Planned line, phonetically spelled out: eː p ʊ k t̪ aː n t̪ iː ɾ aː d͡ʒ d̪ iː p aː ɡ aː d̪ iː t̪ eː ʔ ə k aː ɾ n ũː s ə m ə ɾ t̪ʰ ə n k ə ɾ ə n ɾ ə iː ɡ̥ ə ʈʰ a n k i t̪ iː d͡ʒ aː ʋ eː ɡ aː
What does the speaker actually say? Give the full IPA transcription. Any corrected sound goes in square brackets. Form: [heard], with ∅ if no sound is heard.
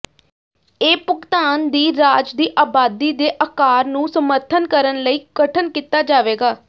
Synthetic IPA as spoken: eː p ʊ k t̪ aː n [d̪] iː ɾ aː d͡ʒ d̪ iː [ʔ] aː [b] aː d̪ iː [d̪] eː ʔ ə k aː ɾ n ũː s ə m ə ɾ t̪ʰ ə n k ə ɾ ə n [l] ə iː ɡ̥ ə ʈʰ [ə] n k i t̪ [aː] d͡ʒ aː ʋ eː ɡ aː